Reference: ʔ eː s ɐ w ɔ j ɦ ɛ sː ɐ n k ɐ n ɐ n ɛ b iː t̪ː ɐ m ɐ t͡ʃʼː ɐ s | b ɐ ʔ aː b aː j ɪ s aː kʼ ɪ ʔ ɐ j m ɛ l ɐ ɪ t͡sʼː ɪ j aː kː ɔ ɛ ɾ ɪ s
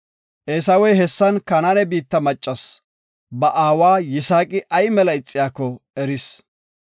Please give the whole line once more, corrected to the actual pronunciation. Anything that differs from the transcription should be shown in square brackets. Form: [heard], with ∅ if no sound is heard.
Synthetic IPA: ʔ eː s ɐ w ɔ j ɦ ɛ sː ɐ n k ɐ n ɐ n ɛ b iː t̪ː ɐ m ɐ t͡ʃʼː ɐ s | b ɐ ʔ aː [w] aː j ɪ s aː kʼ ɪ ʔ ɐ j m ɛ l ɐ ɪ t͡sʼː ɪ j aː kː ɔ ɛ ɾ ɪ s